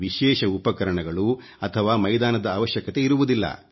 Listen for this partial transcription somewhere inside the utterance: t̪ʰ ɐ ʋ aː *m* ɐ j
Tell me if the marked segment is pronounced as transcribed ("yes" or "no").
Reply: yes